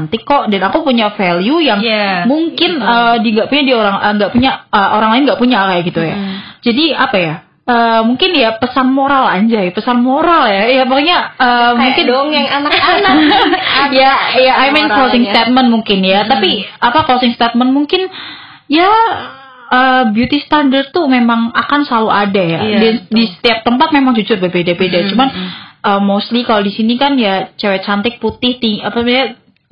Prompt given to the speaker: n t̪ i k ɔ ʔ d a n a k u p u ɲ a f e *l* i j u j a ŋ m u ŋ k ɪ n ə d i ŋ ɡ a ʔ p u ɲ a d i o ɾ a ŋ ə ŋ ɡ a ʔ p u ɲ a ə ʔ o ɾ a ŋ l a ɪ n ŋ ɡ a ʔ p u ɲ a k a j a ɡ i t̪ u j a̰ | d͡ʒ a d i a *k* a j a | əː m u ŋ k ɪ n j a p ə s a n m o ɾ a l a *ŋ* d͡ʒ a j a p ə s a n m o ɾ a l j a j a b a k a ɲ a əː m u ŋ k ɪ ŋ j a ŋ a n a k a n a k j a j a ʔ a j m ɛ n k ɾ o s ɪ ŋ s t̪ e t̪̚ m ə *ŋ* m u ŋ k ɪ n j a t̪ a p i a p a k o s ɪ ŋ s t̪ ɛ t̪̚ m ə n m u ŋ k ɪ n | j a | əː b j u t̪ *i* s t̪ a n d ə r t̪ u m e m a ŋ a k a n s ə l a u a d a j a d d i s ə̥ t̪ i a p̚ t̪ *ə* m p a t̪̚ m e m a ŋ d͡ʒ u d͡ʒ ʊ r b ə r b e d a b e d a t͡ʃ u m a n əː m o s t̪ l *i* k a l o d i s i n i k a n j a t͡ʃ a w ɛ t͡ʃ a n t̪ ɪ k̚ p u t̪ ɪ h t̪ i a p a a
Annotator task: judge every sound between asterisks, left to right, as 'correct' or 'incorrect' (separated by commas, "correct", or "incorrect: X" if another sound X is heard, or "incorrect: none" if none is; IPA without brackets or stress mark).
correct, incorrect: p, incorrect: ɲ, incorrect: n, correct, correct, correct